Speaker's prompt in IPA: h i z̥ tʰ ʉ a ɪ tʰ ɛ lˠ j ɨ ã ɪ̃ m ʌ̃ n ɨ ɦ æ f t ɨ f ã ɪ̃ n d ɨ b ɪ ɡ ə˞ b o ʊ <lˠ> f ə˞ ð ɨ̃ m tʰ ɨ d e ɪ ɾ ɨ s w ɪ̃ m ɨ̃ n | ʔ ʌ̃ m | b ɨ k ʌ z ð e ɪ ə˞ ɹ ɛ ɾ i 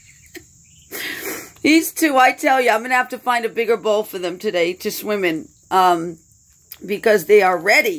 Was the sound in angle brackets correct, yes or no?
yes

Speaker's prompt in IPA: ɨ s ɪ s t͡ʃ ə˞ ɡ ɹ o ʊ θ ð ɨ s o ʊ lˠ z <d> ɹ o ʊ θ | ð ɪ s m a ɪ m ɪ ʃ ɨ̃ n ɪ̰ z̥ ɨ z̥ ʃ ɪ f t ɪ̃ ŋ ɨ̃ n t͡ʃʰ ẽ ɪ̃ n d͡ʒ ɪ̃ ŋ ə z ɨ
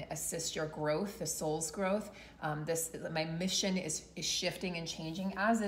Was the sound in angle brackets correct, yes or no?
no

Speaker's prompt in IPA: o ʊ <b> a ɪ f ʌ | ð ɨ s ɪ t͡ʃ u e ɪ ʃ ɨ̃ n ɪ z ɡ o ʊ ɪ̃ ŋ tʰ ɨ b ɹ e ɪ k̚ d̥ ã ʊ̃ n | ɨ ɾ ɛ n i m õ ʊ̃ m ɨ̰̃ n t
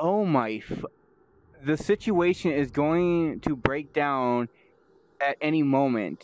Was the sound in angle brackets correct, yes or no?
no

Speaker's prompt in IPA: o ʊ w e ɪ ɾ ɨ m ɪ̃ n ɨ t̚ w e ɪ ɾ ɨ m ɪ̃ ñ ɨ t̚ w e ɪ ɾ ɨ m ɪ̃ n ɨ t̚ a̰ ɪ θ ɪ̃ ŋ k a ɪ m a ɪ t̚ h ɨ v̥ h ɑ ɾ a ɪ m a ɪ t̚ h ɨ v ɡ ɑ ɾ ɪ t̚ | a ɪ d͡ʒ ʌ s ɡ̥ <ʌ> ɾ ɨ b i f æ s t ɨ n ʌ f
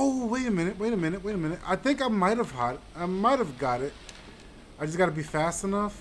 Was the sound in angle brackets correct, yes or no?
no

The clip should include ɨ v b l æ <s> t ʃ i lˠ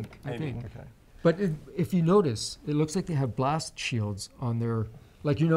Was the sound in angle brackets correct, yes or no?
yes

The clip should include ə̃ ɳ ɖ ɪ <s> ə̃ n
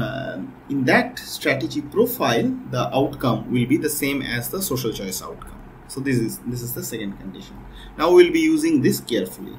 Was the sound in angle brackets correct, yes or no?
no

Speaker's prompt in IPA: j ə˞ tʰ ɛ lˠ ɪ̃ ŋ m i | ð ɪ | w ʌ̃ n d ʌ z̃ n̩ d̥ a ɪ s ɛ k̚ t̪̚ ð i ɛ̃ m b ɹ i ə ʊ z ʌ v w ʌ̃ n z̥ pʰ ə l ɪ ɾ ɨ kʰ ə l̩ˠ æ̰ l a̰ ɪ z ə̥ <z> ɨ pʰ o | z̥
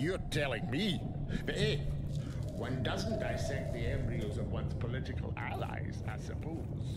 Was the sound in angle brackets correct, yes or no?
no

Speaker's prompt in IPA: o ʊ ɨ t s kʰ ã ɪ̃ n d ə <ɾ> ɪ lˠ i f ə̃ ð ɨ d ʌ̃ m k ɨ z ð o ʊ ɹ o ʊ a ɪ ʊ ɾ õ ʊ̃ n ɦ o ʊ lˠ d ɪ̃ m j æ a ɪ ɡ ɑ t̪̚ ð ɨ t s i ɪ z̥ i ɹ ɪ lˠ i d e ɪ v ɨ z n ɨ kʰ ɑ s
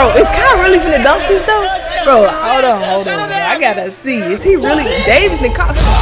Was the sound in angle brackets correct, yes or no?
no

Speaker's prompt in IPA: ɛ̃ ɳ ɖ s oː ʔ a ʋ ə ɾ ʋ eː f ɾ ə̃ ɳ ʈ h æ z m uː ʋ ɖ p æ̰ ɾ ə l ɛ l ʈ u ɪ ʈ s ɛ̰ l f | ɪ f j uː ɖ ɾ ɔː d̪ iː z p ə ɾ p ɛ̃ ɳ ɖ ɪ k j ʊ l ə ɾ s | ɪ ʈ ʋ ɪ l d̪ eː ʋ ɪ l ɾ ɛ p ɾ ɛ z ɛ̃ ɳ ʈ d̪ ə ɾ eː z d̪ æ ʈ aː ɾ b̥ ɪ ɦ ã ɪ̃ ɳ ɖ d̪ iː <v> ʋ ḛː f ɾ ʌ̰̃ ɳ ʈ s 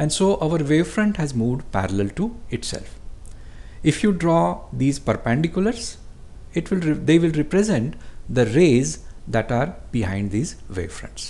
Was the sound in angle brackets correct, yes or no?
no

